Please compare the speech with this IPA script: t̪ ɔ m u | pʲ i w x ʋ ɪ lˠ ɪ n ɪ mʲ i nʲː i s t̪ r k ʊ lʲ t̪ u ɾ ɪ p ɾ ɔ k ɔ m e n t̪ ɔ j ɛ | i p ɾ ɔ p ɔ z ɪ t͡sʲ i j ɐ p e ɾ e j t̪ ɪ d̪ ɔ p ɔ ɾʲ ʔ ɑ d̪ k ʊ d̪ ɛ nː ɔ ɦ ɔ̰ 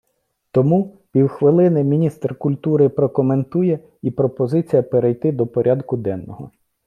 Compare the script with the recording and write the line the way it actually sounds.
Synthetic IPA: t̪ ɔ m u | pʲ i w x ʋ ɪ lˠ ɪ n ɪ mʲ i nʲ i s t̪ r k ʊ lʲ t̪ u ɾ ɪ p ɾ ɔ k ɔ m e n t̪ u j ɛ | i p ɾ ɔ p ɔ z ɪ t͡sʲ i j ɐ p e ɾ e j t̪ ɪ d̪ ɔ p ɔ ɾʲ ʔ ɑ d̪ k ʊ d̪ ɛ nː ɔ ɦ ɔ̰